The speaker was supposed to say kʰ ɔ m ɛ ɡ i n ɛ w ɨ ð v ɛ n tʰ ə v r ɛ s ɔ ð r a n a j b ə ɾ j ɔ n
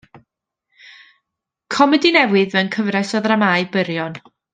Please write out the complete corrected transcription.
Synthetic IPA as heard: kʰ ɔ m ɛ d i n ɛ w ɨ ð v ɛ n kʰ ə v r ɛ s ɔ ð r a m a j b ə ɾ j ɔ n

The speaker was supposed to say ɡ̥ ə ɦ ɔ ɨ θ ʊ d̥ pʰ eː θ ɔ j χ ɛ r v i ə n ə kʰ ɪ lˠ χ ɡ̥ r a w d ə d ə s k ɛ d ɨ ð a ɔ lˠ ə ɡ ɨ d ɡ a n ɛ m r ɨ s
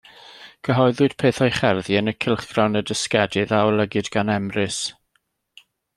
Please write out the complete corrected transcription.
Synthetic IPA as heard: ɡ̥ ə ɦ ɔ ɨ ð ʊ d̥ pʰ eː θ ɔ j χ ɛ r ð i ə n ə kʰ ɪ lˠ χ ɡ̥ r a w n ə d ə s k ɛ d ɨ ð a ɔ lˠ ə ɡ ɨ d ɡ a n ɛ m r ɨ s

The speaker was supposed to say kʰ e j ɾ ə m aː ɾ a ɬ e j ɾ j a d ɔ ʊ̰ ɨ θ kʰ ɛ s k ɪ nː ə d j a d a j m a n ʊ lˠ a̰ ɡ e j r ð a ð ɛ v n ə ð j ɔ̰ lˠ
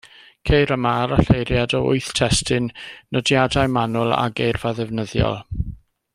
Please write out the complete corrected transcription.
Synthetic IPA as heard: kʰ e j ɾ ə m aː ɾ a ɬ e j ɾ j a d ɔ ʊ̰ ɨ θ tʰ ɛ s t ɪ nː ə d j a d a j m a n ʊ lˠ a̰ ɡ e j r v a ð ɛ v n ə ð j ɔ̰ lˠ

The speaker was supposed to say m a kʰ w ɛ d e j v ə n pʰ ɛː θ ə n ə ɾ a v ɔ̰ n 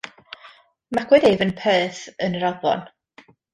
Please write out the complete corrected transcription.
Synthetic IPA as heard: m a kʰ w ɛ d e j v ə n pʰ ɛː θ ə n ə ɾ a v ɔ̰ n

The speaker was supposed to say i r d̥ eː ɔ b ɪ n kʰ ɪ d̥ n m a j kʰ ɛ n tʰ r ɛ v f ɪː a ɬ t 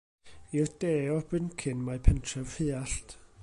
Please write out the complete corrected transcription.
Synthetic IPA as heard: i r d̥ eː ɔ b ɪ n kʰ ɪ n m a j pʰ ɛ n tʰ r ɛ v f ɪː a ɬ t

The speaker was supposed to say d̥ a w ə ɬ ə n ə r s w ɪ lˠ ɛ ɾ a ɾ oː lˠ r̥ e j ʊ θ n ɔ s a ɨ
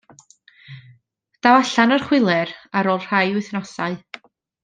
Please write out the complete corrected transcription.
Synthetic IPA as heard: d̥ a w a ɬ a n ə r χ w ɪ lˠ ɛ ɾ a ɾ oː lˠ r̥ a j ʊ θ n ɔ s a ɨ

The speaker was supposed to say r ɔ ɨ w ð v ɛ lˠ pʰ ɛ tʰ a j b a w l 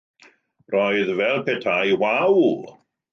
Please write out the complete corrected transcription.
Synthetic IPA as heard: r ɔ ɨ ð v ɛ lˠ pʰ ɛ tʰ a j w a w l

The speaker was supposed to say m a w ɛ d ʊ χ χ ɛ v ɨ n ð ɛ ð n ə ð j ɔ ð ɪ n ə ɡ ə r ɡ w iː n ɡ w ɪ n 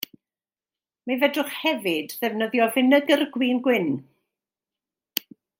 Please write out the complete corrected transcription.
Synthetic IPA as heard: m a v ɛ d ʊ χ h ɛ v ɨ d ð ɛ v n ə ð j ɔ v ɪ n ə ɡ ə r ɡ w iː n ɡ w ɪ n

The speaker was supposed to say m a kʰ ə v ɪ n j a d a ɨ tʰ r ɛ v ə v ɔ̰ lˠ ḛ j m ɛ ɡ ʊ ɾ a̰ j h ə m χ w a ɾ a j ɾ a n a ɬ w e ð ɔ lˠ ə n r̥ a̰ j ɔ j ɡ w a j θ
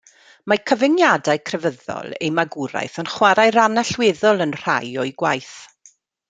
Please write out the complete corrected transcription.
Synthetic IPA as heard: m a kʰ ə v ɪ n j a d a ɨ kʰ r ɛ v ə ð ɔ̰ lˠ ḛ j m a ɡ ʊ ɾ a̰ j θ ə n χ w a ɾ a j ɾ a n a ɬ w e ð ɔ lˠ ə n r̥ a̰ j ɔ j ɡ w a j θ

